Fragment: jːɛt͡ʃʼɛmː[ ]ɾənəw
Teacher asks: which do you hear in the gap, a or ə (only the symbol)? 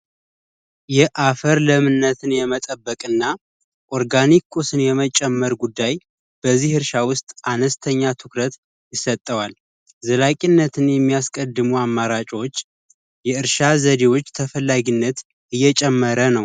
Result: ə